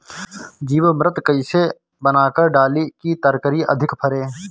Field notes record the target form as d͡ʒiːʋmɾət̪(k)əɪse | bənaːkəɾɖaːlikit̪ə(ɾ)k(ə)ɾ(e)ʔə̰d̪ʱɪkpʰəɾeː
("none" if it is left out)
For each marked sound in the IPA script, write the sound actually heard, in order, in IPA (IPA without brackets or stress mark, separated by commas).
k, ɾ, ə, i